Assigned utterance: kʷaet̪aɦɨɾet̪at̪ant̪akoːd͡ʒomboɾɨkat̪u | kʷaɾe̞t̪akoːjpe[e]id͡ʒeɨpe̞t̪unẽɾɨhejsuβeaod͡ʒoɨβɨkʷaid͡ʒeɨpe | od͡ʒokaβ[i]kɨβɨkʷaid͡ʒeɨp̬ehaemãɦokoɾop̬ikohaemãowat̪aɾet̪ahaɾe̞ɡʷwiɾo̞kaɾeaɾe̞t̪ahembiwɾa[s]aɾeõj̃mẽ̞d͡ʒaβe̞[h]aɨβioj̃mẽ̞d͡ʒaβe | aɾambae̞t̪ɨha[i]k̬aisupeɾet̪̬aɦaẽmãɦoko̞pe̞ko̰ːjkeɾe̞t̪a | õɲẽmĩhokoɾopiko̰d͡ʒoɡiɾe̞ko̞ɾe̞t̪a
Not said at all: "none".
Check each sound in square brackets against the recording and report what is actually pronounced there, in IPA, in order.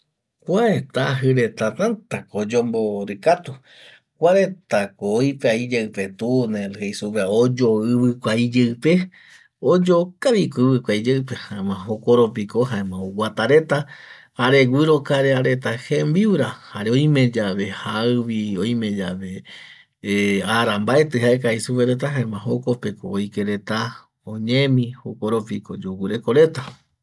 a, i, h, h, e

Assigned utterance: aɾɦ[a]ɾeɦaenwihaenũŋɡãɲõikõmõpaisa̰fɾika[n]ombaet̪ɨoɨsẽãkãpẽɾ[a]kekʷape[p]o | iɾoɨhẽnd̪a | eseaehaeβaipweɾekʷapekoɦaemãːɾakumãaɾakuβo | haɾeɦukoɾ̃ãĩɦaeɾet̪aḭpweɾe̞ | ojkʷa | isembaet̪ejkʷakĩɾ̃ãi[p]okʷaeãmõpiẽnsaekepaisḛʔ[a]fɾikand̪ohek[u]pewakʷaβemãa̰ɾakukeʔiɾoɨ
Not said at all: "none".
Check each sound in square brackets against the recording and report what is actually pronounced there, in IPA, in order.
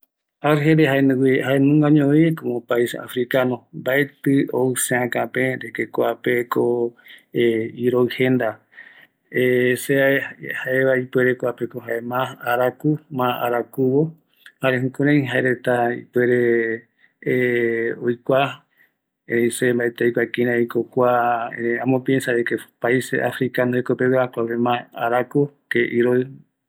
e, n, e, k, k, a, o

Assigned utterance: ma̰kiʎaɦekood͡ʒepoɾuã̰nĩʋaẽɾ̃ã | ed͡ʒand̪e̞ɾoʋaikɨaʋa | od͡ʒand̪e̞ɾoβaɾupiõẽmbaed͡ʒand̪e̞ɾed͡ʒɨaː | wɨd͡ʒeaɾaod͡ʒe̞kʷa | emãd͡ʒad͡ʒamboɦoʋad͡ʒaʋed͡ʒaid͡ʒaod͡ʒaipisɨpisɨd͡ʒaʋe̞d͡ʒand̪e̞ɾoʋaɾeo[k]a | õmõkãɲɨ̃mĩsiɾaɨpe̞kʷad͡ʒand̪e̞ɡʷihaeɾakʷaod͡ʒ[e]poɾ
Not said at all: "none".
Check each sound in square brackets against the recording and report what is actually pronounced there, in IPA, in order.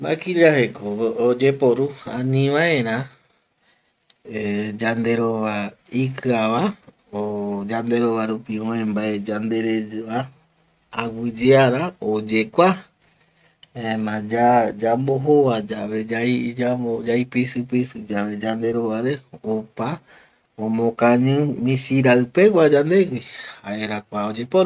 p, e

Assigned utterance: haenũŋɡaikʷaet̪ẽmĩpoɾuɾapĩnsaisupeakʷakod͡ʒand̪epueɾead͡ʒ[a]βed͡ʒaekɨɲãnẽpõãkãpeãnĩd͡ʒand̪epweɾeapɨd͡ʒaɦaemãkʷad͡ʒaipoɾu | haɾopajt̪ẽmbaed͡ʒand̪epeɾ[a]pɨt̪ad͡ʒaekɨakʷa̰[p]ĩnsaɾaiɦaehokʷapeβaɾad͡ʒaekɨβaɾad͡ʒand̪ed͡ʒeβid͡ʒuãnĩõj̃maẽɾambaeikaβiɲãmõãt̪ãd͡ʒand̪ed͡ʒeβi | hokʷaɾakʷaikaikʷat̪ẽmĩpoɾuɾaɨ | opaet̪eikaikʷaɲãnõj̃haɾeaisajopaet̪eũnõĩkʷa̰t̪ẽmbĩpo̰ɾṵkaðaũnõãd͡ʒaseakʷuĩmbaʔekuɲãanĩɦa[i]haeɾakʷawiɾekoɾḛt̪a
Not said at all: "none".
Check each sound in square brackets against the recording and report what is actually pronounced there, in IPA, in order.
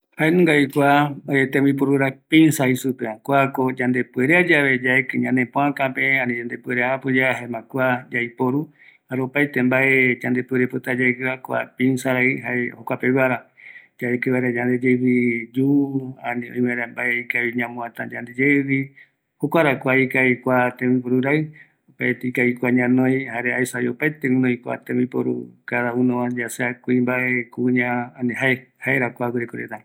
a, e, p, e

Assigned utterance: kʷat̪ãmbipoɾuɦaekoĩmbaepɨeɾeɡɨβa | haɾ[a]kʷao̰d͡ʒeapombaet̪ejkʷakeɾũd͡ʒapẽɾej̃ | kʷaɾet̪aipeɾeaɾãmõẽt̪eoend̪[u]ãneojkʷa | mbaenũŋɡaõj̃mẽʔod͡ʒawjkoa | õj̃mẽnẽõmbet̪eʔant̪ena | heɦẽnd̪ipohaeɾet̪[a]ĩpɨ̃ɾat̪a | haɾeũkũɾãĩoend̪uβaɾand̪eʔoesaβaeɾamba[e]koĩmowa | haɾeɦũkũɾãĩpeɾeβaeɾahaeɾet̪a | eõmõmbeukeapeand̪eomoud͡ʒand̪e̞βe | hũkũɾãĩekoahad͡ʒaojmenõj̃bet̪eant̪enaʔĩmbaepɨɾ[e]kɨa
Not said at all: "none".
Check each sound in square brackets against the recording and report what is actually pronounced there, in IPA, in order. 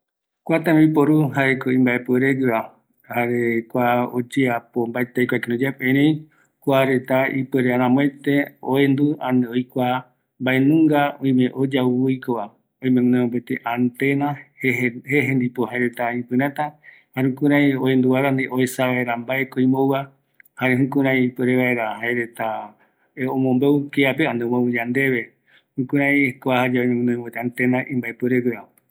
e, u, a, e, e

